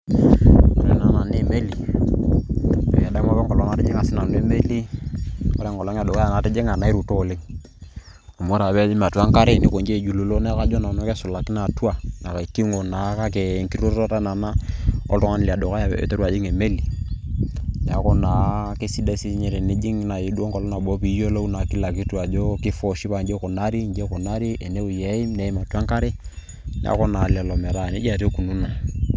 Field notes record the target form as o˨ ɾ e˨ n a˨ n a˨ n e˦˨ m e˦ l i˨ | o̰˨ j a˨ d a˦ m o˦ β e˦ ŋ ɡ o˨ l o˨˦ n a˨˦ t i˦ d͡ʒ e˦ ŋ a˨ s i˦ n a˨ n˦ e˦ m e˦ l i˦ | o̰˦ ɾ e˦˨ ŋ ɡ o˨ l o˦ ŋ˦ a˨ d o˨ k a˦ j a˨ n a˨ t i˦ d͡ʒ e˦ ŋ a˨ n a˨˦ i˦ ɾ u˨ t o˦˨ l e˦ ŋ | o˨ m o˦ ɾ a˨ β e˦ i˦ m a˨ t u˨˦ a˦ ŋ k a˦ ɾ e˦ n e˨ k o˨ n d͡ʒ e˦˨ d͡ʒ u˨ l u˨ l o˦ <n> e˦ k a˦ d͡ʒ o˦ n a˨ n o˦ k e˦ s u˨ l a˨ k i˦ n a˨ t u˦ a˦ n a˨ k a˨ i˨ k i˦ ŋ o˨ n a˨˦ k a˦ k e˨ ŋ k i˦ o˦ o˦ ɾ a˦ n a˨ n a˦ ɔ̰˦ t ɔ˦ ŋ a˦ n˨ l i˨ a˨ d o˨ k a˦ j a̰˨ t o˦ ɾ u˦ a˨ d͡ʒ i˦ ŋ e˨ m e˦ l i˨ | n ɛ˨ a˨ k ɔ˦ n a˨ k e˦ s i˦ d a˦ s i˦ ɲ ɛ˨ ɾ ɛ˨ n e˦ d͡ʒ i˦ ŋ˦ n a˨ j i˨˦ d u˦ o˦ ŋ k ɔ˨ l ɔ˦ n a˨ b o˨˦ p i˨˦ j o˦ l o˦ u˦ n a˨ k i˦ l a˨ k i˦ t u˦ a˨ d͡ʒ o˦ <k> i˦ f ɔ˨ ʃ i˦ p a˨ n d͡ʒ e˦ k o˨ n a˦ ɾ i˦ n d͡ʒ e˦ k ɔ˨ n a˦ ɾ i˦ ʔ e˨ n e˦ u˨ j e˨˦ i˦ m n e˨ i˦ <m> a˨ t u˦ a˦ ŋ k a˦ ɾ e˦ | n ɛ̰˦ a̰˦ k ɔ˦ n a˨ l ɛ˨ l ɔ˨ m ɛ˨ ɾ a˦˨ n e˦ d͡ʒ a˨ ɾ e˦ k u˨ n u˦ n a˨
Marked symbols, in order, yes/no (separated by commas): yes, yes, yes